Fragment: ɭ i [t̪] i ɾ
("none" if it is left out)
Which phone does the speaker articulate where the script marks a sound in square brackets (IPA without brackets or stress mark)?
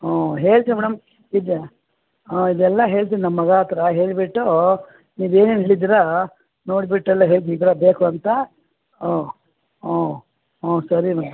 d̪